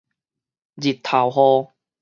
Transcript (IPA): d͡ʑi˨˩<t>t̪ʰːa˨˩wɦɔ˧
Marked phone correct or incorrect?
correct